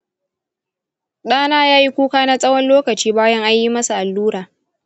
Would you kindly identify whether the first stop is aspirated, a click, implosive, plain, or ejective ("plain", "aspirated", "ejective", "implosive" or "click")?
implosive